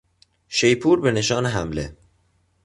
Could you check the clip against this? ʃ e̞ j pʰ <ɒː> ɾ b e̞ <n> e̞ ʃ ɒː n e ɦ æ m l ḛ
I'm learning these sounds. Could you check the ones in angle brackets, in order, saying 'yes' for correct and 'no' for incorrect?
no, yes

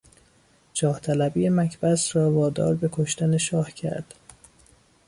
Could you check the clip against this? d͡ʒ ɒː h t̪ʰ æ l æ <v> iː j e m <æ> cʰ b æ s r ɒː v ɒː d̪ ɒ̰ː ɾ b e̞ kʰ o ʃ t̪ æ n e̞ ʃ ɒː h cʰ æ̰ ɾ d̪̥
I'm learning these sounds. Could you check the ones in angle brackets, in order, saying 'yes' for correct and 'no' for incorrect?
no, yes

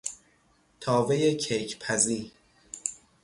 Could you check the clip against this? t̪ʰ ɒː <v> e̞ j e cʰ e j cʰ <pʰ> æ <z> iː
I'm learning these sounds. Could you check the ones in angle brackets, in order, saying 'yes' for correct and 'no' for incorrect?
yes, yes, yes

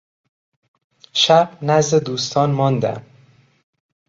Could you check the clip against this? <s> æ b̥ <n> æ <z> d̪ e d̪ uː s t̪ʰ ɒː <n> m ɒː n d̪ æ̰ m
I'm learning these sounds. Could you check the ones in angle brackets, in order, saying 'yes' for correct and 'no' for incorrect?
no, yes, yes, yes

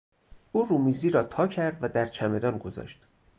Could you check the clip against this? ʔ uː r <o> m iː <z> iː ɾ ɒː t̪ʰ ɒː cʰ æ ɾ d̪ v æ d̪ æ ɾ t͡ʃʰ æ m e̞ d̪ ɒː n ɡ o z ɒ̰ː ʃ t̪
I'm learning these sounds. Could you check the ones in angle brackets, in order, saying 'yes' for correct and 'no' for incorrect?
no, yes

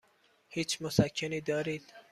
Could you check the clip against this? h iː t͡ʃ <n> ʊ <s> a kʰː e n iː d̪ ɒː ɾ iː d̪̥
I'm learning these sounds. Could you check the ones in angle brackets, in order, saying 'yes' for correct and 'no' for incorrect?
no, yes

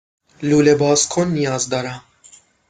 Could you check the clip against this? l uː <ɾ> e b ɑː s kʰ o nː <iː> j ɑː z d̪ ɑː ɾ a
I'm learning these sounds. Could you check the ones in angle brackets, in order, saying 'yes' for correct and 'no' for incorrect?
no, no

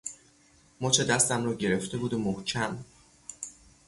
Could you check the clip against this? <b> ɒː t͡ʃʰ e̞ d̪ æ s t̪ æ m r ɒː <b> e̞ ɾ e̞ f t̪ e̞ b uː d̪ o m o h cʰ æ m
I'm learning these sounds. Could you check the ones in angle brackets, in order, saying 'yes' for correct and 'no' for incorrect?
no, no

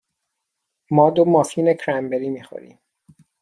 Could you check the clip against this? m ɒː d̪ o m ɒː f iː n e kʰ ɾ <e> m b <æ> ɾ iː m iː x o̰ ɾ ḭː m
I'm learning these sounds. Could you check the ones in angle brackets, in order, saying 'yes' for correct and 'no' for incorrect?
no, no

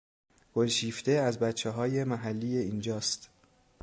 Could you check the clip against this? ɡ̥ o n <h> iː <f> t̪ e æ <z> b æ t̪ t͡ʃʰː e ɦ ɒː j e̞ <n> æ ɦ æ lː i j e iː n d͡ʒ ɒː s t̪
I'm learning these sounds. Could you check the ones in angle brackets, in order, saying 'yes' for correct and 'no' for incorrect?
no, yes, yes, no

